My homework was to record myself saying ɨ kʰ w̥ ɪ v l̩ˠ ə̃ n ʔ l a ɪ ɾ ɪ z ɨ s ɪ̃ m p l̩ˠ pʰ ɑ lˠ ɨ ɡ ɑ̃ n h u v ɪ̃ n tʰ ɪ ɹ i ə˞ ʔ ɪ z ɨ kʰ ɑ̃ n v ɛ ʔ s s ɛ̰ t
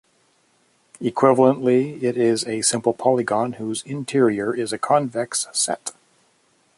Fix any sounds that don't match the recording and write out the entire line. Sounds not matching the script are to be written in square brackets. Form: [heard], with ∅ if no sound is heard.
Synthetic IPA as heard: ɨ kʰ w̥ ɪ v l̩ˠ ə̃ n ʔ l [i] ɪ ɾ ɪ z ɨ s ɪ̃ m p l̩ˠ pʰ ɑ lˠ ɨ ɡ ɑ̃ n h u [z] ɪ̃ n tʰ ɪ ɹ i ə˞ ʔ ɪ z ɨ kʰ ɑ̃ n v ɛ [k] s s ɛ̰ t